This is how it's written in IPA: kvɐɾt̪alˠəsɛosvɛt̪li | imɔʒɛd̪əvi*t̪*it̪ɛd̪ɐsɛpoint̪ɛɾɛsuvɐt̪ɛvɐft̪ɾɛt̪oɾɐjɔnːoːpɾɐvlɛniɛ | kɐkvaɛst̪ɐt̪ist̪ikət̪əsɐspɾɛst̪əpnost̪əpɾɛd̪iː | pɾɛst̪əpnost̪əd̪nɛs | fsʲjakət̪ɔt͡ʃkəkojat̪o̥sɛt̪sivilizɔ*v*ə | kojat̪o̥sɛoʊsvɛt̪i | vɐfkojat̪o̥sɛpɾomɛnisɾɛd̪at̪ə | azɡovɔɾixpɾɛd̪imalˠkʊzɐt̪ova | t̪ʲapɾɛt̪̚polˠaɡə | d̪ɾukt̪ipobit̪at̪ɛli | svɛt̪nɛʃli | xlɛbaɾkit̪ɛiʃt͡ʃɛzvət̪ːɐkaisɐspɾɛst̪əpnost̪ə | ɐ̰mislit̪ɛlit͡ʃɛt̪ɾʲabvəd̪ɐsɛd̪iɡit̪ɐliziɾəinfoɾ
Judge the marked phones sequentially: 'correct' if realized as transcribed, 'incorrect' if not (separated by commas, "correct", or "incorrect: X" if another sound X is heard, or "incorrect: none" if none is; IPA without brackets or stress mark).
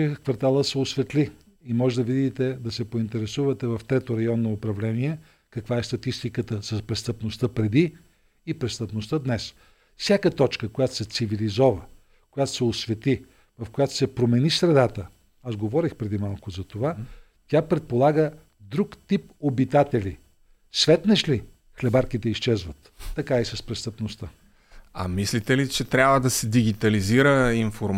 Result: incorrect: d̪, correct